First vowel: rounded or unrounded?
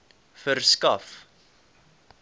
unrounded